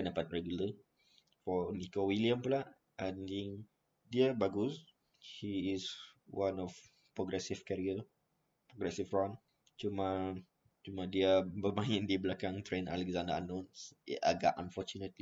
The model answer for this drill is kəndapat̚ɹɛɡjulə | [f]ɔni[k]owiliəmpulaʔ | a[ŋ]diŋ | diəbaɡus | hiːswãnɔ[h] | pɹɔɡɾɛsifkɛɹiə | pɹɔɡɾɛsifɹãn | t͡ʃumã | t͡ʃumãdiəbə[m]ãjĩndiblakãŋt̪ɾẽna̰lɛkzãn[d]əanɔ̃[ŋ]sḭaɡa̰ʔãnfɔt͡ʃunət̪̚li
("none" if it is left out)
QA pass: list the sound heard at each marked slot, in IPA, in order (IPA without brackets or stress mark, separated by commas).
f, k, n, f, m, d, n